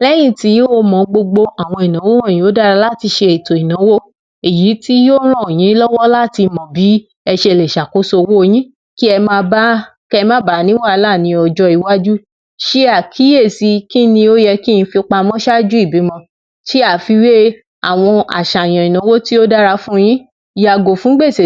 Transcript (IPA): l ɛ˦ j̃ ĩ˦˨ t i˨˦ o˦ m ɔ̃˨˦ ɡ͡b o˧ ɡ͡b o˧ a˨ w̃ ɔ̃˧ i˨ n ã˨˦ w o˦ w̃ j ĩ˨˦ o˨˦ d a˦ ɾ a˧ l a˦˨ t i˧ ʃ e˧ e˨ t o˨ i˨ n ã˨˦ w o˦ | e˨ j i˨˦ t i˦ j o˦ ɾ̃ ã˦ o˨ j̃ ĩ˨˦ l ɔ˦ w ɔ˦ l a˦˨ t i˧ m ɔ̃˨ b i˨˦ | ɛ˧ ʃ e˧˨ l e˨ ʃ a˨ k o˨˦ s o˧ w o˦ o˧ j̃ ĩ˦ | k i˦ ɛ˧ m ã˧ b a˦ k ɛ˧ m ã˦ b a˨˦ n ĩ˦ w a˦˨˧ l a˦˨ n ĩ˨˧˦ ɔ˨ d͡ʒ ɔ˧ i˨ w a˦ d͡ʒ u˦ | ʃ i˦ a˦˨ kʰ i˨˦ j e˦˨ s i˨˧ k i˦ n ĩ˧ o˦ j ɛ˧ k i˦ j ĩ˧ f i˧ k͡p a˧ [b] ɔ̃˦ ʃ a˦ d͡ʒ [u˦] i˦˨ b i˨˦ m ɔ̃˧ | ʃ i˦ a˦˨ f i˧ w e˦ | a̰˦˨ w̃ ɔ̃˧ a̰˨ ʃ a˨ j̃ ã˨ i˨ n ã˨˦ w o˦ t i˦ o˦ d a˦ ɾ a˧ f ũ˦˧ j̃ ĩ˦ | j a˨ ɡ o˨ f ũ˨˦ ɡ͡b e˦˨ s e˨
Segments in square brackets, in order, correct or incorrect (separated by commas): incorrect, correct